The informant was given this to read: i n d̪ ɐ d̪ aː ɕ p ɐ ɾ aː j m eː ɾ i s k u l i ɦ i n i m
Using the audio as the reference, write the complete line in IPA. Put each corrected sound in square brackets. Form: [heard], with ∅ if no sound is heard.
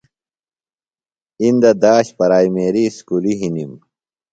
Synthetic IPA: i n d̪ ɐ d̪ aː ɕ p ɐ ɾ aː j m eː ɾ i s k u l i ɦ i n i m

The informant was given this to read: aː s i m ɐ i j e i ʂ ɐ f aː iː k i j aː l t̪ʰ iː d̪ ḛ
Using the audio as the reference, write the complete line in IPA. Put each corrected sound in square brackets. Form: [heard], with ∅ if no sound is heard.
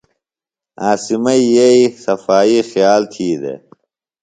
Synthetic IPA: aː s i m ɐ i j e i [s] ɐ f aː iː [x] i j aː l t̪ʰ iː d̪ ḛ

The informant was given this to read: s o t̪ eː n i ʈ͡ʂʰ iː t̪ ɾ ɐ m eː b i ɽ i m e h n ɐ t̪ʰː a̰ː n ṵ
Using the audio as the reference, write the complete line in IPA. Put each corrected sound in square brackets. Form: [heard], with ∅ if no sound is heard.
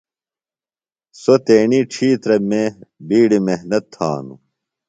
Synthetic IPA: s o t̪ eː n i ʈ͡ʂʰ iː t̪ ɾ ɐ m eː b [iː] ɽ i m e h n ɐ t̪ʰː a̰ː n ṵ

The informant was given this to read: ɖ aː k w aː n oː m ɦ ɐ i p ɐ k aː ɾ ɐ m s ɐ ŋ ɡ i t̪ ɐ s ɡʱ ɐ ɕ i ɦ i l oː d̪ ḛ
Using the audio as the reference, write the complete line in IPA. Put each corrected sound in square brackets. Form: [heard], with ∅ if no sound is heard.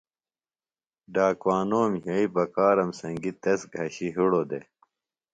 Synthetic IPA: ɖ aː k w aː n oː m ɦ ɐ i p ɐ k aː ɾ ɐ m s ɐ ŋ ɡ i t̪ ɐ s ɡʱ ɐ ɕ i ɦ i [ɽ] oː d̪ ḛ

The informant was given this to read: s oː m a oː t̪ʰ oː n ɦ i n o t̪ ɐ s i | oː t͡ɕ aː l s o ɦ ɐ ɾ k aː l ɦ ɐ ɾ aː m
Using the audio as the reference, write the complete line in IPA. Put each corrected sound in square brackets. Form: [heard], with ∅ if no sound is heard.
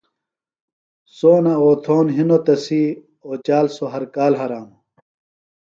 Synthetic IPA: s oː [n] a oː t̪ʰ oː n ɦ i n o t̪ ɐ s i | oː t͡ɕ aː l s o ɦ ɐ ɾ k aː l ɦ ɐ ɾ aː m

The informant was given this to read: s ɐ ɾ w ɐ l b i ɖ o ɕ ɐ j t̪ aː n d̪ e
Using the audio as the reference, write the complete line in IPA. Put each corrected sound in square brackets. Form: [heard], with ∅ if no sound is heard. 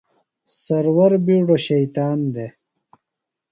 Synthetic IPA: s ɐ ɾ w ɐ [ɾ] b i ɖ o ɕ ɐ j t̪ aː n d̪ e

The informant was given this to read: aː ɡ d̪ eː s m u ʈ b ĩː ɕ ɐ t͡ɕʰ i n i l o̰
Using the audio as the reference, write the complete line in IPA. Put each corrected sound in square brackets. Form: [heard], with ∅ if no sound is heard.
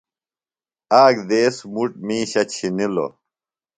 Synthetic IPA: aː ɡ d̪ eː s m u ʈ [m] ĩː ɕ ɐ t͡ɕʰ i n i l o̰

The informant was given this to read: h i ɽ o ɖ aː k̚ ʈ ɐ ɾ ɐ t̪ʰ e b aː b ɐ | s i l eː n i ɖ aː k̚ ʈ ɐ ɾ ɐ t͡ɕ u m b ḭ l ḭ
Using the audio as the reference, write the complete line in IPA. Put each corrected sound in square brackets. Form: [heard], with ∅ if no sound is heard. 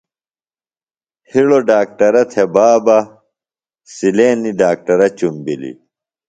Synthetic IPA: h i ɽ o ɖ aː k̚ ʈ ɐ ɾ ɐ t̪ʰ e b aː b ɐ | s i l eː n i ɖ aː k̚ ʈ ɐ ɾ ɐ t͡ɕ u m b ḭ l ḭ

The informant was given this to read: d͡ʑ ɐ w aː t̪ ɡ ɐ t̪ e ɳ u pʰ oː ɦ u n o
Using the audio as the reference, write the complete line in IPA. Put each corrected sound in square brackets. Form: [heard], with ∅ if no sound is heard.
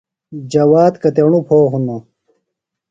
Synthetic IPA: d͡ʑ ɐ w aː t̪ [k] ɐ t̪ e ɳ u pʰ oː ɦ u n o

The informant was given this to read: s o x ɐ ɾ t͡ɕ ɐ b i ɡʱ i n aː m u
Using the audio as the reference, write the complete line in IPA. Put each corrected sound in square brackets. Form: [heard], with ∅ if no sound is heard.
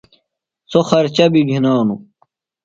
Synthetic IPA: s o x ɐ ɾ t͡ɕ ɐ b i ɡʱ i n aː [n] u

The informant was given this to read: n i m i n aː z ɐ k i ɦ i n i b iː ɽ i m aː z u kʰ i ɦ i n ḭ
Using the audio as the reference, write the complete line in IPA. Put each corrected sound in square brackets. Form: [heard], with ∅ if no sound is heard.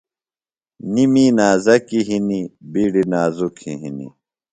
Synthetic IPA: n i m i n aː z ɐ k i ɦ i n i b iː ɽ i [n] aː z u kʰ i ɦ i n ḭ

